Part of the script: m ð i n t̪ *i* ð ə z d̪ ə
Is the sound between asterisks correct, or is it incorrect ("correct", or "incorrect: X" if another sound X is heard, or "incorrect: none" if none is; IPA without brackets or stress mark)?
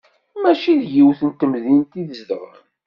correct